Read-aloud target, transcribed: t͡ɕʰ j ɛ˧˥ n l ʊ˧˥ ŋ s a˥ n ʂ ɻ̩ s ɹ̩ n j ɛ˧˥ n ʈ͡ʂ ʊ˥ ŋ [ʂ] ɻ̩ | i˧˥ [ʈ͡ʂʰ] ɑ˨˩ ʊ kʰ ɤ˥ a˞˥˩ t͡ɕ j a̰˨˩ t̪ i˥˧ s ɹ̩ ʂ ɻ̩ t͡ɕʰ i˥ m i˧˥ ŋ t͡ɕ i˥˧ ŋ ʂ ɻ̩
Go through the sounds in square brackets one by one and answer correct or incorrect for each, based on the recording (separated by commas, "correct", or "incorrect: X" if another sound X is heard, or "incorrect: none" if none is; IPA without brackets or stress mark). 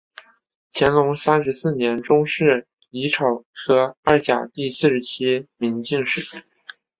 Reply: correct, correct